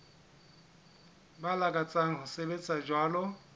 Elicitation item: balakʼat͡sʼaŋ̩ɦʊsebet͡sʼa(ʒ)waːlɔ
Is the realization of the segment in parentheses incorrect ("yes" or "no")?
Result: yes